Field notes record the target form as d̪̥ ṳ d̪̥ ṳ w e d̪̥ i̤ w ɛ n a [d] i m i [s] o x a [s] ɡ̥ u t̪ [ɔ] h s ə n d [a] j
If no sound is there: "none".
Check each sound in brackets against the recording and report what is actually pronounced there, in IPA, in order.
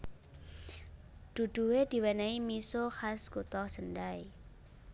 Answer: none, s, s, ɔ, a

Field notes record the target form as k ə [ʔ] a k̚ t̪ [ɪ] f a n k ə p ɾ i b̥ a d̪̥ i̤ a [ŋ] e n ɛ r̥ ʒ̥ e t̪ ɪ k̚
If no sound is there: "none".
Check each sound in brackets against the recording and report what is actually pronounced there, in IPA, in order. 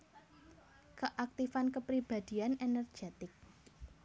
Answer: ʔ, i, n

